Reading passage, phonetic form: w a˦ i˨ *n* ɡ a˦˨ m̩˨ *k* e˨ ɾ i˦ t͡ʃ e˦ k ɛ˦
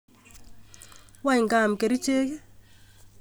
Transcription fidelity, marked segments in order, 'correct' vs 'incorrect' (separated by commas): incorrect, correct